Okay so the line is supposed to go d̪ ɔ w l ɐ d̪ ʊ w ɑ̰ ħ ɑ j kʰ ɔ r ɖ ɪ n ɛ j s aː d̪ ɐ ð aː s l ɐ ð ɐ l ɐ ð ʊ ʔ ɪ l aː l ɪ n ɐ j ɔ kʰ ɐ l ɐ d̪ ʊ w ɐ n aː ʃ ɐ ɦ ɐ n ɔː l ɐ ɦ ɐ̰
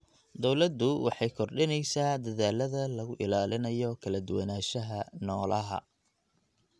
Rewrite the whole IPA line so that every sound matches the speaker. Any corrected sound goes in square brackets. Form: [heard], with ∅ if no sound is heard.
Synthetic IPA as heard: d̪ ɔ w l ɐ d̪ ʊ w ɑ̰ ħ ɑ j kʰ ɔ r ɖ ɪ n ɛ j s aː d̪ ɐ ð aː [∅] l ɐ ð ɐ l ɐ [ɣ] ʊ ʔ ɪ l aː l ɪ n ɐ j ɔ kʰ ɐ l ɐ d̪ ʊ w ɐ n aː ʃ ɐ ɦ ɐ n ɔː l ɐ ɦ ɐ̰